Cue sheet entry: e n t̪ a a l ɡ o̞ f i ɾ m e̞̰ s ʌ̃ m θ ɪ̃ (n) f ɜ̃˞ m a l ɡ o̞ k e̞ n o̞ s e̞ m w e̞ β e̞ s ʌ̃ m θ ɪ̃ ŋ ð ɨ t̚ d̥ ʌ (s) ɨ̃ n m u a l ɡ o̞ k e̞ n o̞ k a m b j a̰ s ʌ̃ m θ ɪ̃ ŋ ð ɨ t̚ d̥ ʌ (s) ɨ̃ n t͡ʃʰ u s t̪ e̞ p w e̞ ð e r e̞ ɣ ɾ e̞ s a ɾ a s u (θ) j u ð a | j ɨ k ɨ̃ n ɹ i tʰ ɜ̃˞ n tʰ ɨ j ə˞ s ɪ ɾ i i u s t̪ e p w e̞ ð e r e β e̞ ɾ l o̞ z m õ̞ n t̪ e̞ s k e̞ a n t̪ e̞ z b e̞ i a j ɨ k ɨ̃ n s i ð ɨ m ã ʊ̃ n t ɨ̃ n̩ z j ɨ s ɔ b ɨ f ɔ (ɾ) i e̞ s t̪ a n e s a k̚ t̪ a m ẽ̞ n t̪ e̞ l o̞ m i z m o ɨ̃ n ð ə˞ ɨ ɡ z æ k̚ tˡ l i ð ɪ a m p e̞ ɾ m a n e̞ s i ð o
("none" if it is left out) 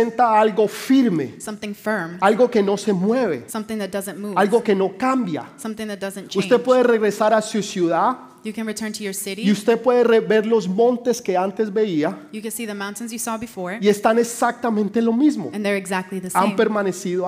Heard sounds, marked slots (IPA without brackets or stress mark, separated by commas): ŋ, z, z, s, ɹ